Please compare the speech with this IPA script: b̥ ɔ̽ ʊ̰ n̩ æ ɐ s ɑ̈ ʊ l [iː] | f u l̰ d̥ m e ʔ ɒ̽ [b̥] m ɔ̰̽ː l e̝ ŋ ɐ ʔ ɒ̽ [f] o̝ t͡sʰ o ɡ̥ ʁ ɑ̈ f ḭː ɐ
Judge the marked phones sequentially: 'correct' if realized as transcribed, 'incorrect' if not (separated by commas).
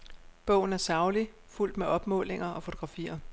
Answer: incorrect, correct, correct